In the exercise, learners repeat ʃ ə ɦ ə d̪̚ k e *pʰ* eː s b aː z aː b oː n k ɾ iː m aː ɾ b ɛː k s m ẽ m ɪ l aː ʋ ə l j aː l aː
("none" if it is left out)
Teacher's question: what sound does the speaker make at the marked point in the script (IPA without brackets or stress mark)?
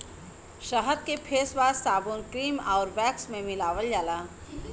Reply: pʰ